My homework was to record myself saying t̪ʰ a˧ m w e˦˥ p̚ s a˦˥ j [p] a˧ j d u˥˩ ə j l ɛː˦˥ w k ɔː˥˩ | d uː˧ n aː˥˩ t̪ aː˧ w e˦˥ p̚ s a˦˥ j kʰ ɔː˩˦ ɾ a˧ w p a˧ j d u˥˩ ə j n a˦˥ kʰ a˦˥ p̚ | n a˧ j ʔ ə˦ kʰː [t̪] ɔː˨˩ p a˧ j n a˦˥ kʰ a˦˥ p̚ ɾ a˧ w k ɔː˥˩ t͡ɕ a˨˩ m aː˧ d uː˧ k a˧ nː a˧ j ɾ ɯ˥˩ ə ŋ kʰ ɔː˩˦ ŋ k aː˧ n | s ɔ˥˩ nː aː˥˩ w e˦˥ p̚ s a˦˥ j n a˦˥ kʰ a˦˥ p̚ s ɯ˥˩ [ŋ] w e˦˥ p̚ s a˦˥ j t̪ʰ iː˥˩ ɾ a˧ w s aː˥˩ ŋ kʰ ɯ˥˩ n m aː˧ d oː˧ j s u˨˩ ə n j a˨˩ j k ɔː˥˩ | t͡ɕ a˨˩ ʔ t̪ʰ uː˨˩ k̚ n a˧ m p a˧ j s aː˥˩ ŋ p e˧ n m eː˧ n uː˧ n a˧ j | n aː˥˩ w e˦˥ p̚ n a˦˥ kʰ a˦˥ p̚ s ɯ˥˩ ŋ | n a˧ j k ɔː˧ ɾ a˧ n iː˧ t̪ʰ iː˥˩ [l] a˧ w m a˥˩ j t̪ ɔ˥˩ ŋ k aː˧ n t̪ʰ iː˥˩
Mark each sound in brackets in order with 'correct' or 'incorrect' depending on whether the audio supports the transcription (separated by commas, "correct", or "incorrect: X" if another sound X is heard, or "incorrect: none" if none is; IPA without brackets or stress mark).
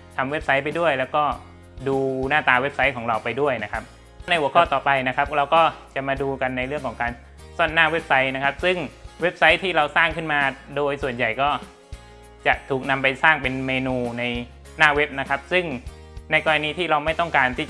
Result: correct, correct, correct, incorrect: ɾ